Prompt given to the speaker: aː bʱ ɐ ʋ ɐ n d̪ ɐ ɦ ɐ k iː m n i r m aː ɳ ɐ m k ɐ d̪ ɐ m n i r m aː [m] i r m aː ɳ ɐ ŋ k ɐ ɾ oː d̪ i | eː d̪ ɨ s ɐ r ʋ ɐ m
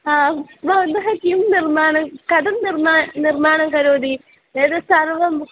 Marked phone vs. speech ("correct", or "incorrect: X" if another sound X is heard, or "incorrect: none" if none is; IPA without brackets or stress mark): incorrect: n